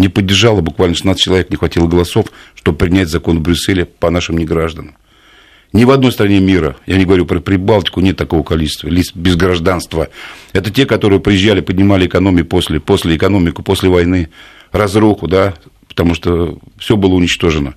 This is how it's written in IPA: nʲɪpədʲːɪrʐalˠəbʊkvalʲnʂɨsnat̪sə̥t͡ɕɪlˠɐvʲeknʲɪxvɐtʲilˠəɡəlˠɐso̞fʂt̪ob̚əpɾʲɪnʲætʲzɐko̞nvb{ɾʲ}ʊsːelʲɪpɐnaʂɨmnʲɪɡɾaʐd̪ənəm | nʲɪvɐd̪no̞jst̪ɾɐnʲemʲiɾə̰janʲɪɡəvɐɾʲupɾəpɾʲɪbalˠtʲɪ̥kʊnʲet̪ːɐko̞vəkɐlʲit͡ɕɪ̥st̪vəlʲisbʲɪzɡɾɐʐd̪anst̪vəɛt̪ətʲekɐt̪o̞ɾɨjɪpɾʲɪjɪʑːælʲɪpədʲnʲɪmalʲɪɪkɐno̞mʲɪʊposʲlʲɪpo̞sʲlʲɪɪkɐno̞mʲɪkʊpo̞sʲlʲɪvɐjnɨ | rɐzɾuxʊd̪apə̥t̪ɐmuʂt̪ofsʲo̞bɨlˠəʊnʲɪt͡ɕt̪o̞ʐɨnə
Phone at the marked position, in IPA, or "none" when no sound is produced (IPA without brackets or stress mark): ɾʲ